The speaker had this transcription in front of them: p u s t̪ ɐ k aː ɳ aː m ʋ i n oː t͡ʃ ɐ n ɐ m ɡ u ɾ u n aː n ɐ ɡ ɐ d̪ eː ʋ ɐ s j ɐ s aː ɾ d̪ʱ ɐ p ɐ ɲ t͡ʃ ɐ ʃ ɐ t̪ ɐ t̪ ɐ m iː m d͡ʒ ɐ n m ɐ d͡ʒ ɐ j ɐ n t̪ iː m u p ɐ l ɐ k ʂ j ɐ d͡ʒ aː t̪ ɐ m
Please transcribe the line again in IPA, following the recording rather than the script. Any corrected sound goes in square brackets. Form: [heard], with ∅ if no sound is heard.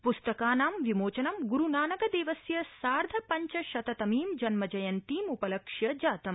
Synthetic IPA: p u s t̪ ɐ k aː [n] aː m ʋ i [m] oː t͡ʃ ɐ n ɐ m ɡ u ɾ u n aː n ɐ ɡ ɐ d̪ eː ʋ ɐ s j ɐ s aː ɾ d̪ʱ ɐ p ɐ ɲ t͡ʃ ɐ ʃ ɐ t̪ ɐ t̪ ɐ m iː m d͡ʒ ɐ n m ɐ d͡ʒ ɐ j ɐ n t̪ iː m u p ɐ l ɐ k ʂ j ɐ d͡ʒ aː t̪ ɐ m